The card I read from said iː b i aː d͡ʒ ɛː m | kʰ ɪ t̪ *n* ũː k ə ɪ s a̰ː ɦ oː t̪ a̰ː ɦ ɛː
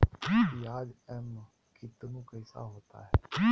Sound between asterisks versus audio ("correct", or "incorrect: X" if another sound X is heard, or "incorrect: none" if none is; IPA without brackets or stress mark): correct